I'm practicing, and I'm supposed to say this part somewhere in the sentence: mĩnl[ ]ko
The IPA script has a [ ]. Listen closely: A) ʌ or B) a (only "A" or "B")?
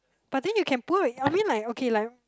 B